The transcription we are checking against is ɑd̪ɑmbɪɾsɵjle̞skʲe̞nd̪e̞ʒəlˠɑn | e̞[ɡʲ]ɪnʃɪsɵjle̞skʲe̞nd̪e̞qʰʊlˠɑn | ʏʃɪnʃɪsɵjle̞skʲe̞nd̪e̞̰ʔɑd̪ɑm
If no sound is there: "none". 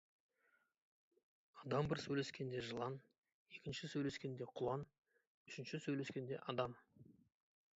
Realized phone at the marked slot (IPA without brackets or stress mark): kʲ